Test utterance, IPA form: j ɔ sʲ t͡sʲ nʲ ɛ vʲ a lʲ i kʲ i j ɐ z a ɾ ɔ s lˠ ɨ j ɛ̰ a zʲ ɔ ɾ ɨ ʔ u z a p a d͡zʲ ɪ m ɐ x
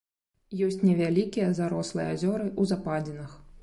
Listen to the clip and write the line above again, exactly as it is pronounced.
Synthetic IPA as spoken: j ɔ sʲ t͡sʲ nʲ ɛ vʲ a lʲ i kʲ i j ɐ z a ɾ ɔ s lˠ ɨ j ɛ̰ a zʲ ɔ ɾ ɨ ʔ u z a p a d͡zʲ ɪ n ɐ x

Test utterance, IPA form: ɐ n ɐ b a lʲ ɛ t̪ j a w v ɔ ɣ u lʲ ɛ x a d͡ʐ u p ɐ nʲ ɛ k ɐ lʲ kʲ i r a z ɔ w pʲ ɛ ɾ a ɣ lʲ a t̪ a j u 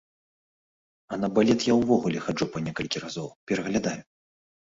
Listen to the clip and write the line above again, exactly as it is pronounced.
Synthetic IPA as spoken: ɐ n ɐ b a lʲ ɛ t̪ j a w v ɔ ɣ u lʲ ɛ x a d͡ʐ u p ɐ nʲ ɛ k ɐ lʲ kʲ i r a z ɔ w pʲ ɛ ɾ ɐ ɣ lʲ a d̪ a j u

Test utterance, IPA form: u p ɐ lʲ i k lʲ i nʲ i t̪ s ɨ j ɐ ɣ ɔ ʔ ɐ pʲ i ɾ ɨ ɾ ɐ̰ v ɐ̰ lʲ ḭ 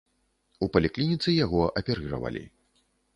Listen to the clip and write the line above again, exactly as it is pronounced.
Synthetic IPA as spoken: u p ɐ lʲ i k lʲ i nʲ i t̪ s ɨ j a ɣ ɔ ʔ ɐ pʲ ɛ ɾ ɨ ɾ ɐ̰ v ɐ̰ lʲ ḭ

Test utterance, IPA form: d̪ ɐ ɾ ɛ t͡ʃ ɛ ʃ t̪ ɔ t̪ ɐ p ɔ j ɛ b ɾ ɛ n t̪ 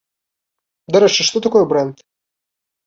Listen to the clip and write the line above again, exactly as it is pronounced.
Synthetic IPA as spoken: d̪ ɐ ɾ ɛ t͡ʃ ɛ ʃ t̪ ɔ t̪ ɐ k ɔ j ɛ b ɾ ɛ n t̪

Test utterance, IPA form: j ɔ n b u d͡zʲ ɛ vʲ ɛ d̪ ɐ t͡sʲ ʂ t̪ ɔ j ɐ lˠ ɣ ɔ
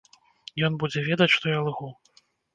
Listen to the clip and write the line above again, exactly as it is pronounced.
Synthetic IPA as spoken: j ɔ n b u d͡zʲ ɛ vʲ ɛ d̪ ɐ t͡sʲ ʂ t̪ ɔ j a lˠ ɣ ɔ

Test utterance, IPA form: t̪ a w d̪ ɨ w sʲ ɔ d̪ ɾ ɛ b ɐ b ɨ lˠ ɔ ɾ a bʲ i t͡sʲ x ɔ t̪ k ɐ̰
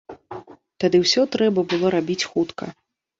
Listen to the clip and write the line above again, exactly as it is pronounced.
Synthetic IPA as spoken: t̪ a d̪ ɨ w sʲ ɔ t̪ ɾ ɛ b ɐ b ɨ lˠ ɔ ɾ a bʲ i t͡sʲ x u t̪ k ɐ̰

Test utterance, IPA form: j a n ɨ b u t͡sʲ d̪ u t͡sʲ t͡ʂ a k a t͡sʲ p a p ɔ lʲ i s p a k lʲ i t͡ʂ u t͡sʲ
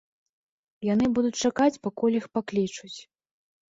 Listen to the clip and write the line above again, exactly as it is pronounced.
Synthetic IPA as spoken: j a n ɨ b u d̪ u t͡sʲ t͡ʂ a k a t͡sʲ p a k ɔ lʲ i x p a k lʲ i t͡ʂ u t͡sʲ

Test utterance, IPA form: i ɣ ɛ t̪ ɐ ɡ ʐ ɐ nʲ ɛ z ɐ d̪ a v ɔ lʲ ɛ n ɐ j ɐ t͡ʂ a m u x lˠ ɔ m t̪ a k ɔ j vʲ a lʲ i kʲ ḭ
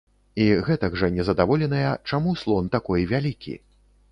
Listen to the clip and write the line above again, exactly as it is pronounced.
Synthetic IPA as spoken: i ɣ ɛ t̪ ɐ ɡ ʐ ɐ nʲ ɛ z ɐ d̪ a v ɔ lʲ ɛ n ɐ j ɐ t͡ʂ a m u s lˠ ɔ n t̪ a k ɔ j vʲ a lʲ i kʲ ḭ

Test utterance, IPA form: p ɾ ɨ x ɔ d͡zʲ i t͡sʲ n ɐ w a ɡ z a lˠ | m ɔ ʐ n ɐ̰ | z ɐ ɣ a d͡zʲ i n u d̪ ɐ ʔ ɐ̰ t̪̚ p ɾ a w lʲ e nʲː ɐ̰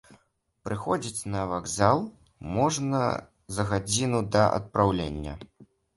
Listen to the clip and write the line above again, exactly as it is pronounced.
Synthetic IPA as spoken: p ɾ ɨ x ɔ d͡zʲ i t͡sʲ n ɐ v a ɡ z a lˠ | m ɔ ʐ n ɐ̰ | z ɐ ɣ a d͡zʲ i n u d̪ ɐ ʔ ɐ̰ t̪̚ p ɾ a w lʲ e nʲː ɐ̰

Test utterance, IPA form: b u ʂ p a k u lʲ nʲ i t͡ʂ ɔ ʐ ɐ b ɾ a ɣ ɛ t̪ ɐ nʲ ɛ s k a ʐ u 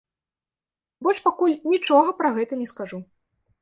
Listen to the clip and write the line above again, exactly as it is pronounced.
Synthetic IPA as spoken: b ɔ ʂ p a k u lʲ nʲ i t͡ʂ ɔ ɣ ɐ p ɾ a ɣ ɛ t̪ ɐ nʲ ɛ s k a ʐ u

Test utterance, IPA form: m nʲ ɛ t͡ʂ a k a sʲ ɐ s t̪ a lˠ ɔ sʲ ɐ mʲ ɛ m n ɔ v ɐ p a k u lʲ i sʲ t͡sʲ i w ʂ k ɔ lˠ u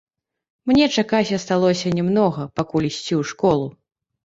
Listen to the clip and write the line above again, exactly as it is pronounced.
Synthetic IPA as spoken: m nʲ ɛ t͡ʂ a k a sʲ ɐ s t̪ a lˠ ɔ sʲ ɐ nʲ ɛ m n ɔ ɣ ɐ p a k u lʲ i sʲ t͡sʲ i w ʂ k ɔ lˠ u

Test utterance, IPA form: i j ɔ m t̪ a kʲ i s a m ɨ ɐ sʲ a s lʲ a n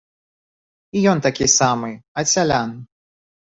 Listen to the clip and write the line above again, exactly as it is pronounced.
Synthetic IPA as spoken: i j ɔ n t̪ a kʲ i s a m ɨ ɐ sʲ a lʲ a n

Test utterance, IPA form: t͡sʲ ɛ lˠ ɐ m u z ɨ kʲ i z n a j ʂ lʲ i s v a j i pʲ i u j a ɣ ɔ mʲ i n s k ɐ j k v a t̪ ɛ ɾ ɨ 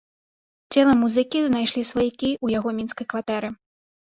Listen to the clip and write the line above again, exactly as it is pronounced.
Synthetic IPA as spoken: t͡sʲ ɛ lˠ ɐ m u z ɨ kʲ i z n a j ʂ lʲ i s v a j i kʲ i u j a ɣ ɔ mʲ i n s k ɐ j k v a t̪ ɛ ɾ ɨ

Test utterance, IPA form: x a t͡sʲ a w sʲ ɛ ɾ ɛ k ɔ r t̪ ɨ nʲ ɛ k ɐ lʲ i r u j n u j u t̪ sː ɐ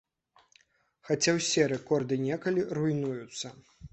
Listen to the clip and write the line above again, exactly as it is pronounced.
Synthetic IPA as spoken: x a t͡sʲ a w sʲ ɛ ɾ ɛ k ɔ r d̪ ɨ nʲ ɛ k ɐ lʲ i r u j n u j u t̪ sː ɐ

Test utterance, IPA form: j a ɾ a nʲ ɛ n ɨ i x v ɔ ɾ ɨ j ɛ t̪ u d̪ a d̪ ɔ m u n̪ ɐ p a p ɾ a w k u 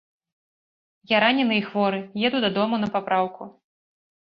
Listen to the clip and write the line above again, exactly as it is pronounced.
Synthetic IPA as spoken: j a ɾ a nʲ ɛ n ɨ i x v ɔ ɾ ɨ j ɛ d̪ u d̪ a d̪ ɔ m u n̪ ɐ p a p ɾ a w k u

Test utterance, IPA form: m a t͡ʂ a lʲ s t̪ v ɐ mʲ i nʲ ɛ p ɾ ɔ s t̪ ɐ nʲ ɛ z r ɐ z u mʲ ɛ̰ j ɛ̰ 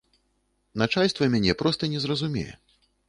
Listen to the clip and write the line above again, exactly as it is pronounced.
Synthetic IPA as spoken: n a t͡ʂ a lʲ s t̪ v ɐ mʲ a nʲ ɛ p ɾ ɔ s t̪ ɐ nʲ ɛ z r ɐ z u mʲ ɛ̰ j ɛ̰

